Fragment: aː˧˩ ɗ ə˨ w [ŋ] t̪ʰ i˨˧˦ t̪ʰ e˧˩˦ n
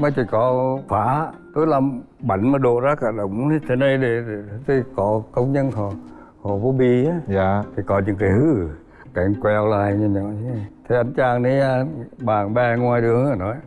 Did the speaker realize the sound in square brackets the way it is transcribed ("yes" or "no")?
no